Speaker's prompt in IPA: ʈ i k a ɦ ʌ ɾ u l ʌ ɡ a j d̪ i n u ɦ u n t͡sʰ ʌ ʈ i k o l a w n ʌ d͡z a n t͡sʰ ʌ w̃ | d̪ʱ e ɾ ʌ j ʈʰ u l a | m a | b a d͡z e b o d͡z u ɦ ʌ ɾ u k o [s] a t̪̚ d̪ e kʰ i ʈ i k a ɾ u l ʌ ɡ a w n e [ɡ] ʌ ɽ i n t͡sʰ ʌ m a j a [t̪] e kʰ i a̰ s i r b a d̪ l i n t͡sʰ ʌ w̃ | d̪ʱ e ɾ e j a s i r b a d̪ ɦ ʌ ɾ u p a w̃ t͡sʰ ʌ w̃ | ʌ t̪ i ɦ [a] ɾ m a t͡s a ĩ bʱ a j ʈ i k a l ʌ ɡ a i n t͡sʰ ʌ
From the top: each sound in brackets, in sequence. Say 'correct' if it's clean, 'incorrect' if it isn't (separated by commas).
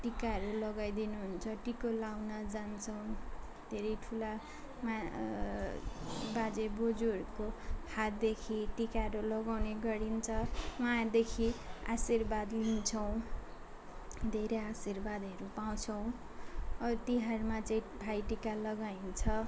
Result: incorrect, correct, incorrect, correct